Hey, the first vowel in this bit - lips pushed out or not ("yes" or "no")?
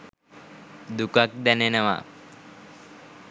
yes